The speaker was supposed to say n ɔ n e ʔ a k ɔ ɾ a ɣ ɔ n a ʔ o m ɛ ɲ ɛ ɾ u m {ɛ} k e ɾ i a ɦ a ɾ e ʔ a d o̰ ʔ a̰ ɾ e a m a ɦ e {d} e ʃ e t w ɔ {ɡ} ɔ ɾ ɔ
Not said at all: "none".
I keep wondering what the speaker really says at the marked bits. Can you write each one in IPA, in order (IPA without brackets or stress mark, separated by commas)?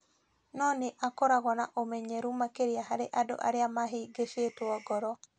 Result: a, ɡ, ɡ